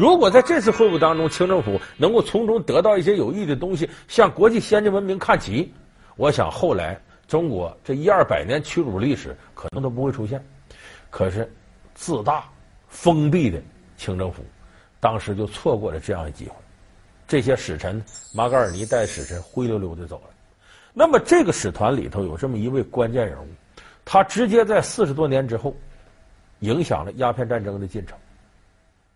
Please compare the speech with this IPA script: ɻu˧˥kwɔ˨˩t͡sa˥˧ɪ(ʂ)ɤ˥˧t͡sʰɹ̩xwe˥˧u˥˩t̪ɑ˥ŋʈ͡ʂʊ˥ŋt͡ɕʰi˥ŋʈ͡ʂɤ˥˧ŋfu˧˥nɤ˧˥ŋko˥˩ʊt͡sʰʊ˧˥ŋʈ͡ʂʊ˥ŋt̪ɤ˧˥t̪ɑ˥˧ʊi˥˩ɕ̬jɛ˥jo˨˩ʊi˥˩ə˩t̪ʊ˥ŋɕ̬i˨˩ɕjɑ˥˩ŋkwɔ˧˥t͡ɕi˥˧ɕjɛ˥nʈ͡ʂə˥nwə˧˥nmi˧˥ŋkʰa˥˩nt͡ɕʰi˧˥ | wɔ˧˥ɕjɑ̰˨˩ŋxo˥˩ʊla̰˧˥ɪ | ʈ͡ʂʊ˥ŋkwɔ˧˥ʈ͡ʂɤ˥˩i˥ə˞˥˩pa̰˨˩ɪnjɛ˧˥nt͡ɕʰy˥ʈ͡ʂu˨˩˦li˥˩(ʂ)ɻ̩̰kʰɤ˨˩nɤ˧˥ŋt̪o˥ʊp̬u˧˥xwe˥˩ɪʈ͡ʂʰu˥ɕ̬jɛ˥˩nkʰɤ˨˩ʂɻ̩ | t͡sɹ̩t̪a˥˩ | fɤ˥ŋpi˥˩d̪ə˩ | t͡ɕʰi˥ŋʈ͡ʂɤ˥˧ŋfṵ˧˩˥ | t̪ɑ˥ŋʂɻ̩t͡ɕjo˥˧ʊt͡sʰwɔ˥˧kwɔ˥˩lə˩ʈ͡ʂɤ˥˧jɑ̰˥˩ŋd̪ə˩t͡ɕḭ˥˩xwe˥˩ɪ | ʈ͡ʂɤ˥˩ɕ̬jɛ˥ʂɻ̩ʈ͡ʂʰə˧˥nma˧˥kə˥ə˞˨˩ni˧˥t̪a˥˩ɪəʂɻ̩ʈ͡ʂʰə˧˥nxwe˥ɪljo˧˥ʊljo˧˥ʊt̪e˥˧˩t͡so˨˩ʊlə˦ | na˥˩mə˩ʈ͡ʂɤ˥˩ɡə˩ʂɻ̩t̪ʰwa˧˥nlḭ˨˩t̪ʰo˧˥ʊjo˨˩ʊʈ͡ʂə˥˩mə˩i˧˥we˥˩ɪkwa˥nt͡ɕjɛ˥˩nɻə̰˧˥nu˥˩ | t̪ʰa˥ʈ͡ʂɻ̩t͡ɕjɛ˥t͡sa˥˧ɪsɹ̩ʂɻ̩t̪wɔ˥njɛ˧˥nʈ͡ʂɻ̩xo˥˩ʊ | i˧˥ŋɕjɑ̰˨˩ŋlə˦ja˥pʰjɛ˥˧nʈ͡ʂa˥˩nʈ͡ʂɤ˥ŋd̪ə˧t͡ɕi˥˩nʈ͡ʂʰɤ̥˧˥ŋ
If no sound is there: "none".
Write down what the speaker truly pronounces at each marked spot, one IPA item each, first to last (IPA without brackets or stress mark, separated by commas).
ʈ͡ʂ, ʂ